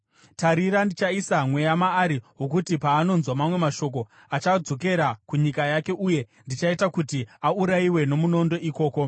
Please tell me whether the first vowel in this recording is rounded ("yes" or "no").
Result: no